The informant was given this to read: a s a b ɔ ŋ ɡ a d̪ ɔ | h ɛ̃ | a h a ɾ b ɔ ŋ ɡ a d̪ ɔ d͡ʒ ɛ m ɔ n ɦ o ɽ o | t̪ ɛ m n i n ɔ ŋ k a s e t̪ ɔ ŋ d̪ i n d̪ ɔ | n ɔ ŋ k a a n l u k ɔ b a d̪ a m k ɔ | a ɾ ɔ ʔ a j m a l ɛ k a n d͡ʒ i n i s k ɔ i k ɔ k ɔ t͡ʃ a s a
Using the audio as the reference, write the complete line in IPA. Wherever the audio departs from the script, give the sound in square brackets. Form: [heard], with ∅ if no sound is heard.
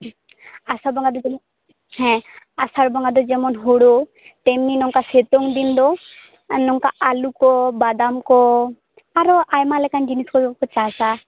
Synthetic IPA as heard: a s a b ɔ ŋ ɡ a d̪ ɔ | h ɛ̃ | a [s] a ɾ b ɔ ŋ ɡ a d̪ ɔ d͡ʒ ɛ m ɔ n ɦ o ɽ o | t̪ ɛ m n i n ɔ ŋ k a s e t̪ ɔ ŋ d̪ i n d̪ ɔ | n ɔ ŋ k a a [∅] l u k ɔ b a d̪ a m k ɔ | a ɾ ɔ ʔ a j m a l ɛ k a n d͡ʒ i n i s k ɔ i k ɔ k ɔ t͡ʃ a s a